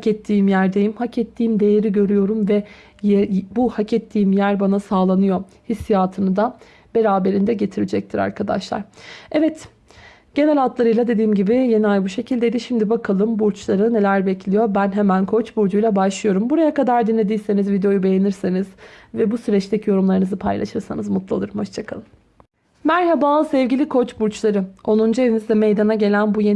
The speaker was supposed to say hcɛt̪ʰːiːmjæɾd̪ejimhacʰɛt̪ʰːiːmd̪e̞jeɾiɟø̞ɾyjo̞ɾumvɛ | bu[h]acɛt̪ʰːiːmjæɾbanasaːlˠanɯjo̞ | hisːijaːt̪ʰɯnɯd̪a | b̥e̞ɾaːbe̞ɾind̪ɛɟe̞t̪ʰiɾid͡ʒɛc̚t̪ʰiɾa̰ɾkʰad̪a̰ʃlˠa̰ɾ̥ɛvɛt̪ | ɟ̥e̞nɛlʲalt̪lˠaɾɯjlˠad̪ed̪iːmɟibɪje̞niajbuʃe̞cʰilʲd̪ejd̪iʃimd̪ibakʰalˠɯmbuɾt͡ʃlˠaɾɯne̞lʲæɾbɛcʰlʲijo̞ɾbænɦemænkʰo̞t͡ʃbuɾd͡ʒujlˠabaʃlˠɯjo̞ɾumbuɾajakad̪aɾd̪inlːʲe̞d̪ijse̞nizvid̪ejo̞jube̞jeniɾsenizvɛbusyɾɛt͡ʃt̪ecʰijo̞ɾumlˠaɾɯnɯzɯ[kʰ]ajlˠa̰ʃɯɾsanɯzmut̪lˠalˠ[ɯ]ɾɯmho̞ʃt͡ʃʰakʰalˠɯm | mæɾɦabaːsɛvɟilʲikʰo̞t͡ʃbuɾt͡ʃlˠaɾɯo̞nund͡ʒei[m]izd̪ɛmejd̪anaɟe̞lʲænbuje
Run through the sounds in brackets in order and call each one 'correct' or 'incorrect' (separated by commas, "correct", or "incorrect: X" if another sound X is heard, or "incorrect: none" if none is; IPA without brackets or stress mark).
correct, incorrect: pʰ, correct, incorrect: n